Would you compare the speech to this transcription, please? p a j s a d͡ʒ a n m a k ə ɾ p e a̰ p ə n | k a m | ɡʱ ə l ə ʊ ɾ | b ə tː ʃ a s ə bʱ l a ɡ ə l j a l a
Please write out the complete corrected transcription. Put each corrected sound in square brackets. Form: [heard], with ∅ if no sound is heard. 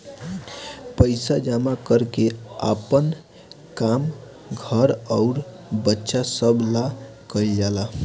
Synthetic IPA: p [ə] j s a d͡ʒ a [∅] m a k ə ɾ [k] e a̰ p ə n | k a m | ɡʱ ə [ɾ] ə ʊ ɾ | b ə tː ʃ a s ə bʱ l a [k] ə l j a l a